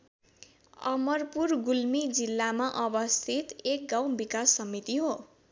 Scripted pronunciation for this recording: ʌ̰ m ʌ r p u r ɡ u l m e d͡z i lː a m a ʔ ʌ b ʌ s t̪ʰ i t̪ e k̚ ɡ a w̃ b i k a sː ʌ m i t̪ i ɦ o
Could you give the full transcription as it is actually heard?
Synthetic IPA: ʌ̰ m ʌ r p u r ɡ u l m i d͡z i lː a m a ʔ ʌ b ʌ s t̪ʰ i t̪ e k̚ ɡ a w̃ b i k a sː ʌ m i t̪ i ɦ o